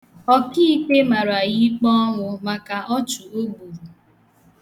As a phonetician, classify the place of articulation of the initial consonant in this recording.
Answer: velar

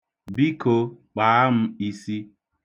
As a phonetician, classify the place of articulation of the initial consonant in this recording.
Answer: labial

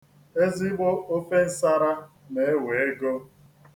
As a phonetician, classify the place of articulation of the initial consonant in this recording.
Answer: alveolar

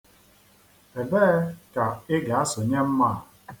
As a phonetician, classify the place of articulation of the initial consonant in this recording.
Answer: labial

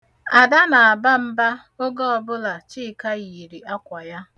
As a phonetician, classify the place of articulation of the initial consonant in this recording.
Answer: alveolar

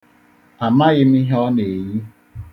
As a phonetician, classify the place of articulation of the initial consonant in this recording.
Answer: labial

